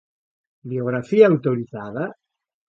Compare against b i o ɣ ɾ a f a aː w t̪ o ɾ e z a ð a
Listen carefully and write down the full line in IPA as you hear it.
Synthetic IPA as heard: b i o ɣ ɾ a f i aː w t̪ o ɾ i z a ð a